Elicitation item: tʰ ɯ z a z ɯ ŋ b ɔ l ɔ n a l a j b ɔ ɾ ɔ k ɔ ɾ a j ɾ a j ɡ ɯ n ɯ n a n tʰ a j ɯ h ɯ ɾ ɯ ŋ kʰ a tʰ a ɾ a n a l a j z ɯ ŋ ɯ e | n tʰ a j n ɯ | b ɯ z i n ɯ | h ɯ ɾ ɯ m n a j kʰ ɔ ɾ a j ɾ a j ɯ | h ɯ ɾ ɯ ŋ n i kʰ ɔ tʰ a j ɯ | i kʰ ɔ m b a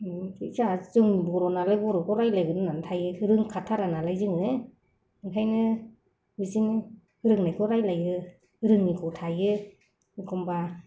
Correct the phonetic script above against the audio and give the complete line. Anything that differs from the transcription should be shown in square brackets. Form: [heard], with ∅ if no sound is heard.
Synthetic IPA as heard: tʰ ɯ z a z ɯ ŋ b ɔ [ɾ] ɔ n a l a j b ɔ ɾ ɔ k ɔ ɾ a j [l] a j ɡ ɯ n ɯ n a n tʰ a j ɯ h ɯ ɾ ɯ ŋ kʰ a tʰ a ɾ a n a l a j z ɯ ŋ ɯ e | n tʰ a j n ɯ | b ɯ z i n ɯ | h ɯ ɾ ɯ [ŋ] n a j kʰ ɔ ɾ a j [l] a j ɯ | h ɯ ɾ ɯ ŋ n i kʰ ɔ tʰ a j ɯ | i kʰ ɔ m b a